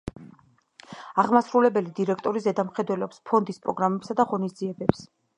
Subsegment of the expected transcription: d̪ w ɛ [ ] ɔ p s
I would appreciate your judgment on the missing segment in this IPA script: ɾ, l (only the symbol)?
l